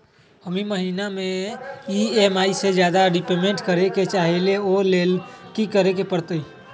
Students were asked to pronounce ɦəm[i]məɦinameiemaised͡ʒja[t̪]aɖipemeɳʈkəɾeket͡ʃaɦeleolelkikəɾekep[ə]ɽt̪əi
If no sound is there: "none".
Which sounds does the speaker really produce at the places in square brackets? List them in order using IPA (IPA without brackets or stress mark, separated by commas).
i, d̪, ə